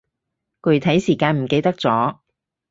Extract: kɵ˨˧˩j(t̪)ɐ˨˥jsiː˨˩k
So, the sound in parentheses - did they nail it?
no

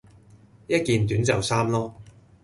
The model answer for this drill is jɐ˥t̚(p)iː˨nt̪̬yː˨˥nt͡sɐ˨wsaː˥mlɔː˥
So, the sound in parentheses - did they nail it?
no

